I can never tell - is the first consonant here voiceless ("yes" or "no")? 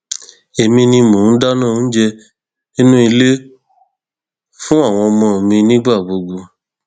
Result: no